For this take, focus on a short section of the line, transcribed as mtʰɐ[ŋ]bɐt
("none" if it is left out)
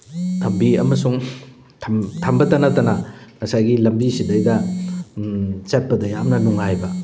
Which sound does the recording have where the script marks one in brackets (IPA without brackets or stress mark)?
m